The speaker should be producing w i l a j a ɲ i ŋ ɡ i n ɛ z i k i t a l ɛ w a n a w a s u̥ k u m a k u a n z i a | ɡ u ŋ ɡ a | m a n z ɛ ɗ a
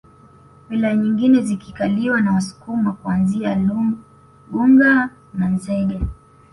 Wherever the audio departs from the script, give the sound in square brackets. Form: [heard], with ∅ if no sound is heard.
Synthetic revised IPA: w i l a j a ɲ i ŋ ɡ i n ɛ z i k i [k] a l [i] w a n a w a s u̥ k u m a k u a n z i a | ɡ u ŋ ɡ a | [n] a n z ɛ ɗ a